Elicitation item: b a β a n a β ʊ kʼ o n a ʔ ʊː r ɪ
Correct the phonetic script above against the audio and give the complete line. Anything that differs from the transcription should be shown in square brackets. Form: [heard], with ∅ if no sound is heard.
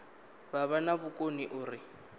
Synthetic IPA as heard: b a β a n a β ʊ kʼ o n [i] ʔ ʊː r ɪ